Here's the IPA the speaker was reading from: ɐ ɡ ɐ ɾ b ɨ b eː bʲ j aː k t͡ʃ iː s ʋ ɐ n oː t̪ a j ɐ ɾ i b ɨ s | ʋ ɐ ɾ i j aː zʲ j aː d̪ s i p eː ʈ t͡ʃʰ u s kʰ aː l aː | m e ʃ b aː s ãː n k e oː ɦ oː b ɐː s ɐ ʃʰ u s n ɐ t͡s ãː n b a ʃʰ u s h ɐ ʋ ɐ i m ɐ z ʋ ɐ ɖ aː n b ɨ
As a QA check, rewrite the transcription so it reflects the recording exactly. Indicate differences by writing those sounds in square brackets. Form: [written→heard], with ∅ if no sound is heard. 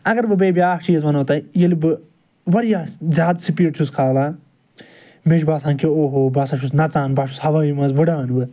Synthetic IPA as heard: ɐ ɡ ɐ ɾ b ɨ b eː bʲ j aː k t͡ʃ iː [s→z] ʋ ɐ n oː t̪ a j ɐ [ɾ→l] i b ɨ [s→∅] | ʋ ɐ ɾ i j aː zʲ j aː d̪ s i p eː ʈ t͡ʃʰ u s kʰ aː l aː | m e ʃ b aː s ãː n k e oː ɦ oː b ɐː s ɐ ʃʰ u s n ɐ t͡s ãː n b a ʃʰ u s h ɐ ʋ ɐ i m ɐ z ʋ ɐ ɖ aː n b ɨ